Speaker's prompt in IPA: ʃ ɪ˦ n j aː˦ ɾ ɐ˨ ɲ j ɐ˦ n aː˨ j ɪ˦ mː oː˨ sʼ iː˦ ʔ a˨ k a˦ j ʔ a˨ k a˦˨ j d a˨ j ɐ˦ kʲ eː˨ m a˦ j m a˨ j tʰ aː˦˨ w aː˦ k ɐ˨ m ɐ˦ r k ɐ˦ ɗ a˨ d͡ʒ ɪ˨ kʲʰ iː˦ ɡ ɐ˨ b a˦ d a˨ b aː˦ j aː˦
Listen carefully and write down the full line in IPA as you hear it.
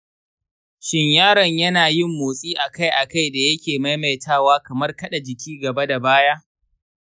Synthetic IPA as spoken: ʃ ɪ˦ ɲ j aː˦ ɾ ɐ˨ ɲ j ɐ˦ n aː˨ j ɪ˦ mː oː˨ sʼ iː˦ ʔ a˨ k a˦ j ʔ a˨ k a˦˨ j d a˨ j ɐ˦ kʲ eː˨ m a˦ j m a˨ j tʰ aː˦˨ w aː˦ k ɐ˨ m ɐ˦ r k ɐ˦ ɗ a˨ d͡ʒ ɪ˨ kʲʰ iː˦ ɡ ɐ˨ b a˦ d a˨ b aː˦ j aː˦